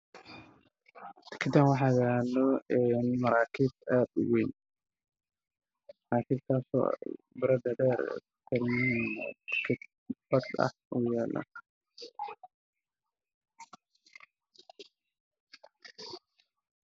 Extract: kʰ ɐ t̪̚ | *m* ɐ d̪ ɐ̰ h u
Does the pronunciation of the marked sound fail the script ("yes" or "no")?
yes